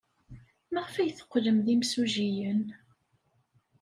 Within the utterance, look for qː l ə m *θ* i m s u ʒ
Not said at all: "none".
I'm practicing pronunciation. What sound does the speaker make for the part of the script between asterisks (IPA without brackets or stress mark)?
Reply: ð